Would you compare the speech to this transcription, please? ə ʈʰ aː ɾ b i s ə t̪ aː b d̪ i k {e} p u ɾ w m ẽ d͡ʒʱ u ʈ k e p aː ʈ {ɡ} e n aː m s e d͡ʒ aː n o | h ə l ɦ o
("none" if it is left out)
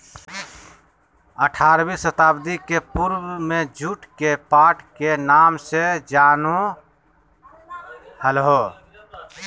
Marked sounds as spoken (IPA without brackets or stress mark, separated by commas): e, k